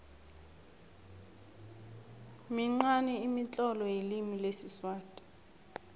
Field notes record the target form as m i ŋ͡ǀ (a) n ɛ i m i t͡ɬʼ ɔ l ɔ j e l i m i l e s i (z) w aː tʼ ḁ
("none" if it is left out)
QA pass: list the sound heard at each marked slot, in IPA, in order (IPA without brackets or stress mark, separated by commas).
a, s